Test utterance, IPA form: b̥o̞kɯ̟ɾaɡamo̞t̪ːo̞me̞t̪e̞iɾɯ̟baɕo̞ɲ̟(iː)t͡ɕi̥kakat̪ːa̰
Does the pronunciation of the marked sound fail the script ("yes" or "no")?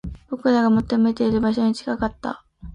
yes